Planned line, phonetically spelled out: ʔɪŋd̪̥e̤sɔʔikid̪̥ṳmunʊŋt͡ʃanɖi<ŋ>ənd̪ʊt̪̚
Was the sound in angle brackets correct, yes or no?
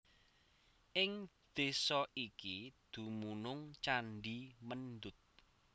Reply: no